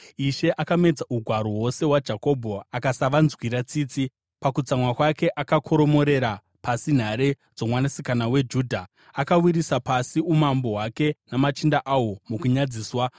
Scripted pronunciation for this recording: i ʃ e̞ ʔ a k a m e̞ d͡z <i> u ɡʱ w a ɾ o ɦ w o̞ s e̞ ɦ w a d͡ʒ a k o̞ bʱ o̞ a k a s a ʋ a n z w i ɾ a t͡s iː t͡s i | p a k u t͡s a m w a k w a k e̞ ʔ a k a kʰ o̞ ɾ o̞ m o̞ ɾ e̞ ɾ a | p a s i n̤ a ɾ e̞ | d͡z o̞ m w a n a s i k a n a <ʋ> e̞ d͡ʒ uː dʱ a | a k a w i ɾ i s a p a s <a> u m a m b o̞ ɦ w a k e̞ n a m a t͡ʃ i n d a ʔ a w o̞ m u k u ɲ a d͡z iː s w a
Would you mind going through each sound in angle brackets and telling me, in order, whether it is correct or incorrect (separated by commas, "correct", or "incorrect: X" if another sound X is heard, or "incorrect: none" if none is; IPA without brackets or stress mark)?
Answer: incorrect: a, incorrect: w, incorrect: i